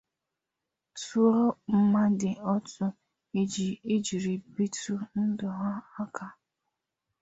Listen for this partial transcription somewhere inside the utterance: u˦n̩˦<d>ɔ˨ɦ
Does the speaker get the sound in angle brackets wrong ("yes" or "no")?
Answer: no